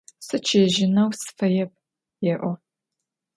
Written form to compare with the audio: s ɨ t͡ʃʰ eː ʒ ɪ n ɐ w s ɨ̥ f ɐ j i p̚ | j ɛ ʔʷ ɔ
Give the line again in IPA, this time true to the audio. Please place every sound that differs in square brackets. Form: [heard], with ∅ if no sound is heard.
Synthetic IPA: s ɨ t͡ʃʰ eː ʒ ɪ n ɐ w s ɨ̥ f ɐ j [ɛ] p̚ | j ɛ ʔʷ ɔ